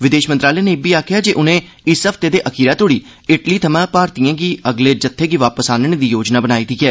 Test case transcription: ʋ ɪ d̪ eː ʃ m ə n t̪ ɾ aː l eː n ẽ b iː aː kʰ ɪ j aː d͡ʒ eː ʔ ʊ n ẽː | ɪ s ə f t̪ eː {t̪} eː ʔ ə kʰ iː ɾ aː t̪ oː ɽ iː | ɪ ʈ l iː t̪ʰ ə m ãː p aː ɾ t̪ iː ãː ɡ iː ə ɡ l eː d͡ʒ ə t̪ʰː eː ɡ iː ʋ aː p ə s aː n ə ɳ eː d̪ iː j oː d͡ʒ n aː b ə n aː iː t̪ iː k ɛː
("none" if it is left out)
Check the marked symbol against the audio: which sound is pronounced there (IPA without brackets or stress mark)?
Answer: d̪